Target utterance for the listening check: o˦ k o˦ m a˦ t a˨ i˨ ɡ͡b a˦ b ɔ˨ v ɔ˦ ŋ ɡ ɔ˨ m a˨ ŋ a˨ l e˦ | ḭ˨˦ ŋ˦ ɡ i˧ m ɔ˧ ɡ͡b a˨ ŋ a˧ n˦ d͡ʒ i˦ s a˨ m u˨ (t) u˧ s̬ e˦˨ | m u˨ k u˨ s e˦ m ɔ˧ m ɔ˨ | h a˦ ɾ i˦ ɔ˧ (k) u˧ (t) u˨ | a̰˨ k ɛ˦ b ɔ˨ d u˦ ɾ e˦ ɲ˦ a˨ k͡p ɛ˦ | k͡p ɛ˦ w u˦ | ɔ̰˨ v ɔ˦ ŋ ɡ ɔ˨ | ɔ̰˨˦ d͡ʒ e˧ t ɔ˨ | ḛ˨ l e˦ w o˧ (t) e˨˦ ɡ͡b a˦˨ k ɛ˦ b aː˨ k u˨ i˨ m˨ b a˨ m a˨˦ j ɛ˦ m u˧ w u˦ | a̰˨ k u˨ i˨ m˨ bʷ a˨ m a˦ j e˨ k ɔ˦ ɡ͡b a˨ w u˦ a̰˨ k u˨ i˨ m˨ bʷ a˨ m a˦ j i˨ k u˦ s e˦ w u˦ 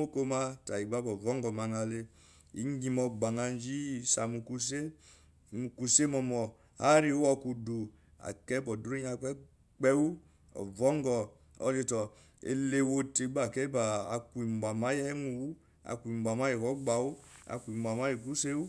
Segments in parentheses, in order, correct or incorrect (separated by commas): incorrect, correct, incorrect, correct